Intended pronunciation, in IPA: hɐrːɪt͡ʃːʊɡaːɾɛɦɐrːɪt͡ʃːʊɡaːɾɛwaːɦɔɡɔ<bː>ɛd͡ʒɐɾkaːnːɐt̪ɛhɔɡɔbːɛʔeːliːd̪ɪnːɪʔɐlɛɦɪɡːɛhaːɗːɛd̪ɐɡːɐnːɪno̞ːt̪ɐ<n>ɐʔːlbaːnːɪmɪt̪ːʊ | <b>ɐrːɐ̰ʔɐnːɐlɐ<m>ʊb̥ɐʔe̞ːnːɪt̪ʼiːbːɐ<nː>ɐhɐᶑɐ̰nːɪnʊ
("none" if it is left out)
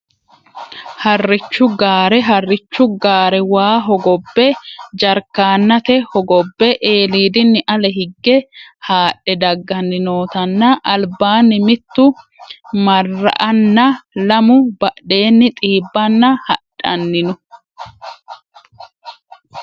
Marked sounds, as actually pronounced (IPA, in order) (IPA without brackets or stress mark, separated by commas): bː, nː, m, m, nː